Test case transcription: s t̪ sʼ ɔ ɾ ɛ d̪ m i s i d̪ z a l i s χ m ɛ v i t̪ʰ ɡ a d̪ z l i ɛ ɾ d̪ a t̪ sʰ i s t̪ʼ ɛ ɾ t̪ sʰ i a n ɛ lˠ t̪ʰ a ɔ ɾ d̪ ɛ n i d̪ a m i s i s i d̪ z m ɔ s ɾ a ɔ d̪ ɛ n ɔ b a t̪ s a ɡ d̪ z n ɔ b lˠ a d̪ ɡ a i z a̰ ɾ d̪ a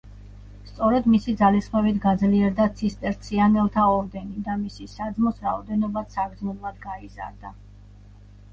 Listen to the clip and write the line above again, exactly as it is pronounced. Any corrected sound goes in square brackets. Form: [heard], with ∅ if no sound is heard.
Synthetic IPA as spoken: s t̪ sʼ ɔ ɾ ɛ d̪ m i s i d̪ z a l i s χ m ɛ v i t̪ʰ ɡ a d̪ z l i ɛ ɾ d̪ a t̪ sʰ i s t̪ʼ ɛ ɾ t̪ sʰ i a n ɛ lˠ t̪ʰ a ɔ ɾ d̪ ɛ n i d̪ a m i s i s [a] d̪ z m ɔ s ɾ a ɔ d̪ ɛ n ɔ b a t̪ s a ɡ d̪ z n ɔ b lˠ a d̪ ɡ a i z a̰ ɾ d̪ a